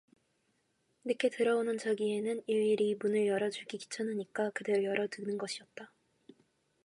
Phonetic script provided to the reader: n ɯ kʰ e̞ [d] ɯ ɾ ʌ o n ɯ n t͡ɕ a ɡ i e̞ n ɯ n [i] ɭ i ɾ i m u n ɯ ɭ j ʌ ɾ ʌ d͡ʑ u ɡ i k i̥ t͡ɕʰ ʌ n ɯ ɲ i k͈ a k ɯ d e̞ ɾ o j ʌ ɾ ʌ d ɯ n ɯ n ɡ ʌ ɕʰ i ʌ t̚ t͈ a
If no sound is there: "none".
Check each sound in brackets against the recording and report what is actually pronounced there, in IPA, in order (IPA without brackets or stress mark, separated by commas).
t, i